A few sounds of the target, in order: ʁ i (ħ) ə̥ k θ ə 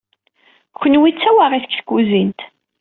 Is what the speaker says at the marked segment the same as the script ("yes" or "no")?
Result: no